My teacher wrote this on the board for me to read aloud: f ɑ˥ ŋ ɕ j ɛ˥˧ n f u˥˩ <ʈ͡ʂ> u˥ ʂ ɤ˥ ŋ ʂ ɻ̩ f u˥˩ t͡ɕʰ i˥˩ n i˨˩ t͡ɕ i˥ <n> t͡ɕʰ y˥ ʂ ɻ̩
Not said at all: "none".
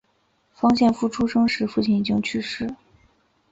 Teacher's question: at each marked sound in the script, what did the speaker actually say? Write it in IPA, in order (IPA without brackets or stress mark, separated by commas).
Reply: ʈ͡ʂʰ, ŋ